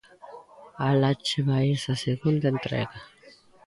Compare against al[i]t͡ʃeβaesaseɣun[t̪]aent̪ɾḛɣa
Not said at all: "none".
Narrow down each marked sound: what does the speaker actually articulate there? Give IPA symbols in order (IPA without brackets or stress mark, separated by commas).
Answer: a, d̪